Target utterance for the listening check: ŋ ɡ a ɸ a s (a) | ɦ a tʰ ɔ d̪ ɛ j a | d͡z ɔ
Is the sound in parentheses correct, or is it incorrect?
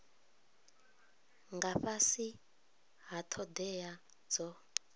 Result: incorrect